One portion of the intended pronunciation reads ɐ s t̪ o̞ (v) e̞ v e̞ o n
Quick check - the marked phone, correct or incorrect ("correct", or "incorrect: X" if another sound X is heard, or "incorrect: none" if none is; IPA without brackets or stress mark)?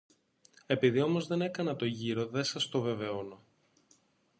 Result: correct